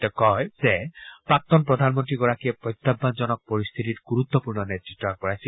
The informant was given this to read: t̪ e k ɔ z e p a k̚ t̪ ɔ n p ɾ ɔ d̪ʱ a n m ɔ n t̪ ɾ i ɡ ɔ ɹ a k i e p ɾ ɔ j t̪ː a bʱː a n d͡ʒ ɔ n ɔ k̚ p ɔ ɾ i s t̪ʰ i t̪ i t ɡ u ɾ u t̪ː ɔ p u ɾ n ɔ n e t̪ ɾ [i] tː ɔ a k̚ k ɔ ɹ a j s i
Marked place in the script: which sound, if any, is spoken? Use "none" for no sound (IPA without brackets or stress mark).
i